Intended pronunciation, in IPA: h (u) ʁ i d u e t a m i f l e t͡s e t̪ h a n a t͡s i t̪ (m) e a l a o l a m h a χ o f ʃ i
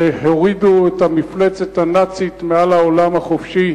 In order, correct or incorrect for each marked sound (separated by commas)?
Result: incorrect, correct